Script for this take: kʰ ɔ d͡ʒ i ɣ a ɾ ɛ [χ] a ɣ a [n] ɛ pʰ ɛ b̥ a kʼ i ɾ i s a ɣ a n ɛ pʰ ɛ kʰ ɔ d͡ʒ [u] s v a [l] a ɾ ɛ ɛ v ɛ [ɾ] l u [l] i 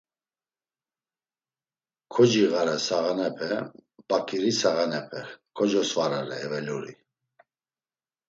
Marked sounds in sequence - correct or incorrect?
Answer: incorrect: s, correct, incorrect: ɔ, incorrect: ɾ, incorrect: none, incorrect: ɾ

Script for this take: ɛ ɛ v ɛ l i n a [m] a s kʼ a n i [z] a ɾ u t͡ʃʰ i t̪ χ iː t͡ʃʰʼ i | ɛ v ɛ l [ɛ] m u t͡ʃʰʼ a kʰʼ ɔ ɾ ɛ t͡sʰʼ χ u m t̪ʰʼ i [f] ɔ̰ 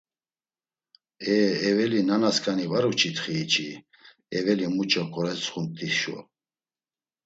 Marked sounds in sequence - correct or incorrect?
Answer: incorrect: n, incorrect: v, incorrect: i, incorrect: ʃ

